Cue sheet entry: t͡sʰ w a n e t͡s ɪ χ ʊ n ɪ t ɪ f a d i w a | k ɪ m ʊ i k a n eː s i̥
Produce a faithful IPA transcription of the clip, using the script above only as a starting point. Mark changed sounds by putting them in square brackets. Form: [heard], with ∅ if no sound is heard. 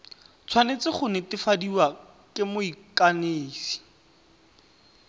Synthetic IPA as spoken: t͡sʰ w a n e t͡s ɪ χ ʊ n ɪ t ɪ f a d i w a | k ɪ m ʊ i k a n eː s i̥

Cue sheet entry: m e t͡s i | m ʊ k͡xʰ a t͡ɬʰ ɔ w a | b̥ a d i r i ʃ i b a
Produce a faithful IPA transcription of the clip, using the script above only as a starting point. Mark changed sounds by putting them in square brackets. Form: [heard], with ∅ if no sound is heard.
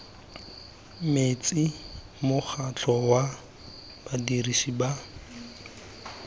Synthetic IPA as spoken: m e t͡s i | m ʊ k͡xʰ a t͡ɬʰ ɔ w a | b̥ a d i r i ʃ i b a

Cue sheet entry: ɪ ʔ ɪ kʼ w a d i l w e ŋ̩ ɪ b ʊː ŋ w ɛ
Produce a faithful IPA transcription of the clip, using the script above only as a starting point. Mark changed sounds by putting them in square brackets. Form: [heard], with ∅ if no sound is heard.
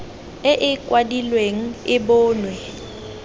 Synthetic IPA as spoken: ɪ ʔ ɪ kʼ w a d i l w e ŋ̩ ɪ b ʊː [n] w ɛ

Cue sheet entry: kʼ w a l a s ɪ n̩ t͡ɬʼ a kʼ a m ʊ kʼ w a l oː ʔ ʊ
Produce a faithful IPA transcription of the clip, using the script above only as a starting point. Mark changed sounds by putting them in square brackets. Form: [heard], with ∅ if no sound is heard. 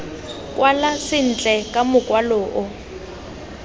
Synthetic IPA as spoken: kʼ w a l a s ɪ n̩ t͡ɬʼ [ɛ] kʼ a m ʊ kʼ w a l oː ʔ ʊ

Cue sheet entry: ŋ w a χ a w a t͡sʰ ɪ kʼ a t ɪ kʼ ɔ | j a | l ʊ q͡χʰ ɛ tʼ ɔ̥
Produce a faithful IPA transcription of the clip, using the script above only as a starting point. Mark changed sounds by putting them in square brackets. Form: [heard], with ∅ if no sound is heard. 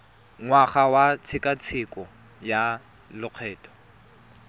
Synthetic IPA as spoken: ŋ w a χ a w a t͡sʰ ɪ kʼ a [t͡sʰ] ɪ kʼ ɔ | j a | l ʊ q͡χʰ [ɛː] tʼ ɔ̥

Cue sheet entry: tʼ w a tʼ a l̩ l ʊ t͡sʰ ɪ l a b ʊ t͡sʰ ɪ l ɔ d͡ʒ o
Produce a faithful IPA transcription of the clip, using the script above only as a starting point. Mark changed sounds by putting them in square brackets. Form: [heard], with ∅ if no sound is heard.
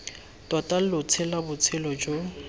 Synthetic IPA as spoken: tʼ w a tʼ a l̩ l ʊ t͡sʰ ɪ l a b ʊ t͡sʰ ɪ l ɔ d͡ʒ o

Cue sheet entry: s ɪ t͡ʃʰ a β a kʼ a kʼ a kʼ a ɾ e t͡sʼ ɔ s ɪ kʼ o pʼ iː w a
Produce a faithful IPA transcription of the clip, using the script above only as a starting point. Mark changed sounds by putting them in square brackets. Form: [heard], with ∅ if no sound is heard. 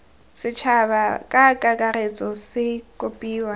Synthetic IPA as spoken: s ɪ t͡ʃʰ a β a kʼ a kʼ a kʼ a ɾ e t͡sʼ ɔ s ɪ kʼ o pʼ iː w a

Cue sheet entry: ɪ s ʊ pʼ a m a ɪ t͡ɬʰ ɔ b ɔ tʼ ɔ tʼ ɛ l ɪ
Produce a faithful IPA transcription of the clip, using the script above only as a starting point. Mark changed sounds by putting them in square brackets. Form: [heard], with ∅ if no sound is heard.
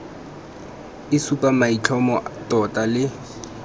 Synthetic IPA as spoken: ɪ s [u] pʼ a m a [i] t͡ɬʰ ɔ [m] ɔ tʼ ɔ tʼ [a] l ɪ

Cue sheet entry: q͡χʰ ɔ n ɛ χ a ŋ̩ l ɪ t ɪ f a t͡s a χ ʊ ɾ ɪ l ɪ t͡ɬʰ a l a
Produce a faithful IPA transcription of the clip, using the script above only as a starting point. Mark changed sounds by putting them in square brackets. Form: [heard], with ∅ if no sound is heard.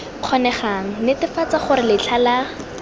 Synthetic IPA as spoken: q͡χʰ ɔ n ɛ χ a ŋ̩ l ɪ t ɪ f a t͡s a χ ʊ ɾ ɪ l ɪ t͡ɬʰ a l a

